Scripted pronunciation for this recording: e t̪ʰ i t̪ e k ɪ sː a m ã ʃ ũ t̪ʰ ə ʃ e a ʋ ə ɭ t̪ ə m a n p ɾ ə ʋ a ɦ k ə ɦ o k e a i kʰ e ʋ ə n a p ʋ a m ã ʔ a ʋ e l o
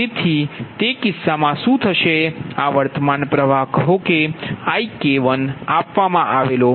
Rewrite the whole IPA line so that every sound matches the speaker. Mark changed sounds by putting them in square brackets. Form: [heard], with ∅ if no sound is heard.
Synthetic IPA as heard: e t̪ʰ i t̪ e k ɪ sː a m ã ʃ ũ t̪ʰ ə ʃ e a ʋ ə [ɾ] t̪ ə m a n p ɾ ə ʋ a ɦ k ə ɦ o k e a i [k] e ʋ ə n a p ʋ a m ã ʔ a ʋ e l o

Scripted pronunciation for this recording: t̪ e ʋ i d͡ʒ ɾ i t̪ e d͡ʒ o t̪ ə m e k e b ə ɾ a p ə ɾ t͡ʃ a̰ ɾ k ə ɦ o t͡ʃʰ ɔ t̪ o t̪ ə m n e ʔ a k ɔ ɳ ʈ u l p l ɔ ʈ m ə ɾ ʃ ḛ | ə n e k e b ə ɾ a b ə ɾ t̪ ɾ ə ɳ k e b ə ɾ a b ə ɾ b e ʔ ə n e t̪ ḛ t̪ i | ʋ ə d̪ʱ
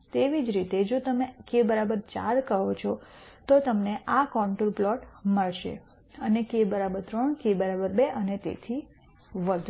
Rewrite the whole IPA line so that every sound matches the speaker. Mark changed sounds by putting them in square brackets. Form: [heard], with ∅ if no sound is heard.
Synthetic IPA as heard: t̪ e ʋ i d͡ʒ ɾ i t̪ e d͡ʒ o t̪ ə m e k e b ə ɾ a [b] ə ɾ t͡ʃ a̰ ɾ k ə ɦ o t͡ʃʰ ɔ t̪ o t̪ ə m n e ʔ a k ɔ ɳ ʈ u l p l ɔ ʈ m ə [ɭ] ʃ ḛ | ə n e k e b ə ɾ a b ə ɾ t̪ ɾ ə ɳ k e b ə ɾ a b ə ɾ b e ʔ ə n e t̪ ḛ [t̪ʰ] i | ʋ ə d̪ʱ

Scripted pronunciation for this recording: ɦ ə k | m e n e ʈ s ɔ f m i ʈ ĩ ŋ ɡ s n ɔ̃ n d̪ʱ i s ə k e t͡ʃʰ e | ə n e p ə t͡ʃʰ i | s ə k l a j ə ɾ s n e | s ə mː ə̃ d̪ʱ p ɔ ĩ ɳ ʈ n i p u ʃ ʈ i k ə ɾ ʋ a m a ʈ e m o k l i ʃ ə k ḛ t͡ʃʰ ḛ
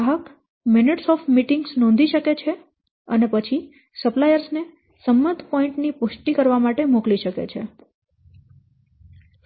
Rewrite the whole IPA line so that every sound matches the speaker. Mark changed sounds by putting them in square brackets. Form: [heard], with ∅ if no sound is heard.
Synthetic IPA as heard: ɦ ə k | m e n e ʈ s ɔ f m i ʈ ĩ ŋ ɡ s n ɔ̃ n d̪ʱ i [ʃ] ə k e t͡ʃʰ e | ə n e p ə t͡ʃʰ i | s ə [p] l a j ə ɾ s n e | s ə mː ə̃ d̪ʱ p ɔ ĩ ɳ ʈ n i p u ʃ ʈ i k ə ɾ ʋ a m a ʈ e m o k l i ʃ ə k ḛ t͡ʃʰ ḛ

